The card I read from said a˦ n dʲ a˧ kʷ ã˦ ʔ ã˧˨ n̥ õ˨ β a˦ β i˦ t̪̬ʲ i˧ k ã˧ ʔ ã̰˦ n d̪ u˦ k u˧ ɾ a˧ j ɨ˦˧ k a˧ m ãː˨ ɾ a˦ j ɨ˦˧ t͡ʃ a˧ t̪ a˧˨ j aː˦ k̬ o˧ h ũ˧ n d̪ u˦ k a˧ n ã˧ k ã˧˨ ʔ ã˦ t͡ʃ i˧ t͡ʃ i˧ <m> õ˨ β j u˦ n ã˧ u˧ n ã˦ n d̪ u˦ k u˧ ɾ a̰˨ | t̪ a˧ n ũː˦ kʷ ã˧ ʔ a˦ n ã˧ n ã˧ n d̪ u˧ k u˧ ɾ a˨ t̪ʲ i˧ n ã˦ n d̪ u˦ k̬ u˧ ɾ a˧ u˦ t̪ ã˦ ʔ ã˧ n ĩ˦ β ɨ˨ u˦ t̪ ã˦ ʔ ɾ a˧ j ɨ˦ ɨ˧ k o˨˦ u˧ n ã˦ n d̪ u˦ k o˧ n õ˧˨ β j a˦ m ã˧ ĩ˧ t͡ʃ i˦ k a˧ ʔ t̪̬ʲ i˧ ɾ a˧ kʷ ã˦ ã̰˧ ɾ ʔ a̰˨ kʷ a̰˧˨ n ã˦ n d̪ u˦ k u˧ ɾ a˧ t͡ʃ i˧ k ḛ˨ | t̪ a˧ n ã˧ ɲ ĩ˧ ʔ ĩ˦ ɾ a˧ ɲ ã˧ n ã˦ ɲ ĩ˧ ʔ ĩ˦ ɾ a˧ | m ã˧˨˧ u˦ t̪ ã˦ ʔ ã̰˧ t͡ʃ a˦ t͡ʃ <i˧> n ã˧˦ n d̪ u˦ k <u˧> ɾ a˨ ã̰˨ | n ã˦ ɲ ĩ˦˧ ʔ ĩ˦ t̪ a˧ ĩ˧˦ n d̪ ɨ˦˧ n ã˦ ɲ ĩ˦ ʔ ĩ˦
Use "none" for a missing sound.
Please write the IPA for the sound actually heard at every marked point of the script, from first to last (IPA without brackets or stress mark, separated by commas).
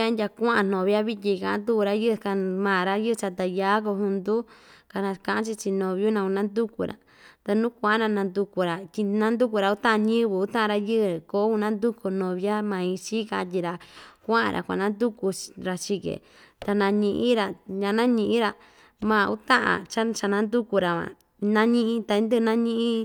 n, a˧, u˧